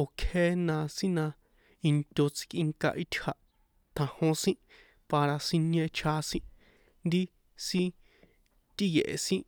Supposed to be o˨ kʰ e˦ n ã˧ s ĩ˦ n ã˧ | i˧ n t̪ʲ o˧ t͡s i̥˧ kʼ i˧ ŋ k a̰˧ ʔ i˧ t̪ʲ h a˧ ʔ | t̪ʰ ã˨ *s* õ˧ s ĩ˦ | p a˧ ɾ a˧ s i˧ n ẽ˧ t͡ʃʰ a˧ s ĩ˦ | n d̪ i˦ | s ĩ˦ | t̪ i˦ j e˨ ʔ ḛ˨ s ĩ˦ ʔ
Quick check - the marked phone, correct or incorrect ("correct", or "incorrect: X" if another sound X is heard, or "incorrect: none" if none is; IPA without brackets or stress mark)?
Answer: incorrect: h